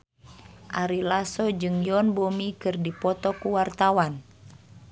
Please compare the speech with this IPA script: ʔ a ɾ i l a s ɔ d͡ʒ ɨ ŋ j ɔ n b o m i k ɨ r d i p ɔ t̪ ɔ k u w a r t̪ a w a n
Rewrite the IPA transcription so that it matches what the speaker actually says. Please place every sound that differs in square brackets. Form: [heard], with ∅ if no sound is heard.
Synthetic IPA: ʔ a ɾ i l a s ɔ d͡ʒ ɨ ŋ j ɔ n b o m i k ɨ r d i p ɔ t̪ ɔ k u w a r t̪ a w a n